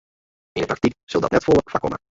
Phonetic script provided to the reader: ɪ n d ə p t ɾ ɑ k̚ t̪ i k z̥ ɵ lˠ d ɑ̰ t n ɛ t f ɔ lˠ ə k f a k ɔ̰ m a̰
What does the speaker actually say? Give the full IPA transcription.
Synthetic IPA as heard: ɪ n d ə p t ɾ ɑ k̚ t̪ i k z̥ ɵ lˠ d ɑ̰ t n ɛ t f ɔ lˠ ə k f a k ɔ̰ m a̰